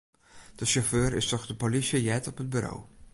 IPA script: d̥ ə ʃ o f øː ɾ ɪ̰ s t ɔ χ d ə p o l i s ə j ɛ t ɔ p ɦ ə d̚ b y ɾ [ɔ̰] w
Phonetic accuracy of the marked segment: incorrect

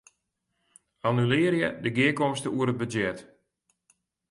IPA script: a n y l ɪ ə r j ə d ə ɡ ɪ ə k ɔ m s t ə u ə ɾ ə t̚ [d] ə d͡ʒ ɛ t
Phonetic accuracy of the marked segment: incorrect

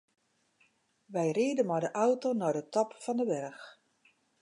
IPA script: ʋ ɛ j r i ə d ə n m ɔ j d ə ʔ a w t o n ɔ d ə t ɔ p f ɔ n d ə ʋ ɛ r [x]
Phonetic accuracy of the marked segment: correct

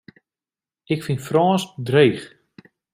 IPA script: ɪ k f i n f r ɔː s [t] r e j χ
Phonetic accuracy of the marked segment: incorrect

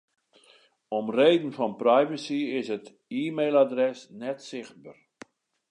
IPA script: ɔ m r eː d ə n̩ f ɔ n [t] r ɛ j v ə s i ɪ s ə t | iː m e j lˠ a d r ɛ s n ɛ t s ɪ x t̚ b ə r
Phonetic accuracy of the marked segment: incorrect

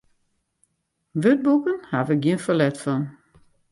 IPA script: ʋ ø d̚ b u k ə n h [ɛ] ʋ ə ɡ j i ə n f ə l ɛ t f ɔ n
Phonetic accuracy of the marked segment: incorrect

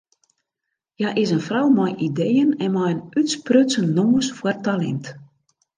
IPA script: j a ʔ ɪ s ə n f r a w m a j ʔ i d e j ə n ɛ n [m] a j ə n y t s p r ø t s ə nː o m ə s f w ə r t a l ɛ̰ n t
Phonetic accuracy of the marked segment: correct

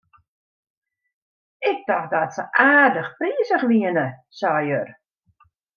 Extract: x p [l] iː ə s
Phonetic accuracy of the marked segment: incorrect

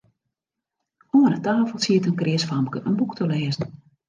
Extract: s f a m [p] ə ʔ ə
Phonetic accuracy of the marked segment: incorrect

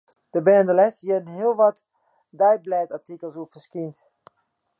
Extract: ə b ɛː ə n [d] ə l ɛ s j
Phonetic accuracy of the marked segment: correct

